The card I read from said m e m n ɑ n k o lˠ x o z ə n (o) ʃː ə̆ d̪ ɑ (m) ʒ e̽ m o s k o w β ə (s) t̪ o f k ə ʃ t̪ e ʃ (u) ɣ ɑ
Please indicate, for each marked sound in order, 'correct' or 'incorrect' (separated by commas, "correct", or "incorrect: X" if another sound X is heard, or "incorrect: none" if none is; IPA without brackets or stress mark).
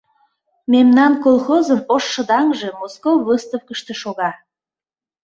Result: correct, incorrect: ŋ, correct, incorrect: o